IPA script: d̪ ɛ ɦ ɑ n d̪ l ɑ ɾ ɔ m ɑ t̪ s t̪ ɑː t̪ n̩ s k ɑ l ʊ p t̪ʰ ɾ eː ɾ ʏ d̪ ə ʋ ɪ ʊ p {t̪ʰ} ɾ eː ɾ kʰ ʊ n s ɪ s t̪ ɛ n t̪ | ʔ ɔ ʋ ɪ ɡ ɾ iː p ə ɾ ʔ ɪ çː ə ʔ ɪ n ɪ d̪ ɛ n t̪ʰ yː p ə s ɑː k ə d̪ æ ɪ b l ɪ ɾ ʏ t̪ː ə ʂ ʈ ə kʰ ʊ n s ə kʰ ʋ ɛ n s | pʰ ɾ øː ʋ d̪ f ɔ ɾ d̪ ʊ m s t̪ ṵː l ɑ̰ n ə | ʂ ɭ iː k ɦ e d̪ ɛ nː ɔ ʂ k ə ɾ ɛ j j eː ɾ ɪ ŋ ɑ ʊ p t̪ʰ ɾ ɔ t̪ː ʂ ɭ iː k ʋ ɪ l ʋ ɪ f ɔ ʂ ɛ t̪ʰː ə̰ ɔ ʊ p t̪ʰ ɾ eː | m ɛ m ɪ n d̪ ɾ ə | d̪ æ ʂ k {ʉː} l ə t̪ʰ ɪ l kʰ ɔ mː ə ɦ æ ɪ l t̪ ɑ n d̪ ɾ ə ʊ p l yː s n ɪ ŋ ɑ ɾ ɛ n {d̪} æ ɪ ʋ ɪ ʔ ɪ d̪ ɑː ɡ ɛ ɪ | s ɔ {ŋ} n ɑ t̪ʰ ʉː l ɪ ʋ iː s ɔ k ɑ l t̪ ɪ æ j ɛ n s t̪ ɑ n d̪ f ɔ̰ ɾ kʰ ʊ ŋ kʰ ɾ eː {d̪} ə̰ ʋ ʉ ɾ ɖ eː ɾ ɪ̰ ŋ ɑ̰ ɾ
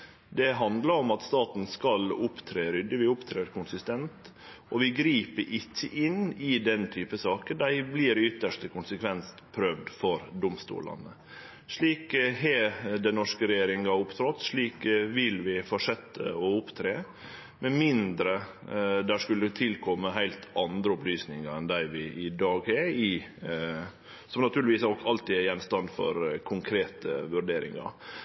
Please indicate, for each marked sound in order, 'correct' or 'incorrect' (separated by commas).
correct, incorrect, correct, incorrect, incorrect